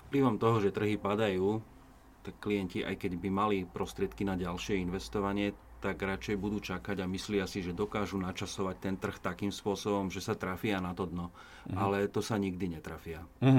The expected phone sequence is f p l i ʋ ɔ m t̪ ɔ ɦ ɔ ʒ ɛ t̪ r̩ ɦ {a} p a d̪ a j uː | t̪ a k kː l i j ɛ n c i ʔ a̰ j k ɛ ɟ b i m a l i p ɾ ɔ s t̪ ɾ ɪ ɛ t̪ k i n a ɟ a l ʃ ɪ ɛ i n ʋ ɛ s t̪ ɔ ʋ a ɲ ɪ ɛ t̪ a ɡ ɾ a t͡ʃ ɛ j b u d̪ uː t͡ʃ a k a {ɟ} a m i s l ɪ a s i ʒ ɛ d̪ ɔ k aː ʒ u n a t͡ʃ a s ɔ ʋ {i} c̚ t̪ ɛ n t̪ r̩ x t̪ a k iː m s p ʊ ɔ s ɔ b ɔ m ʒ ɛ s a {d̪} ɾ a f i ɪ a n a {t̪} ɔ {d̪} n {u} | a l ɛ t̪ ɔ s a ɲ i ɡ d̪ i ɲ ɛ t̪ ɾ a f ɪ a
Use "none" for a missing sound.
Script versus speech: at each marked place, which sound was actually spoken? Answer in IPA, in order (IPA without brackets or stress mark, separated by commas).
i, ɟ, a, t̪, t̪, d̪, ɔ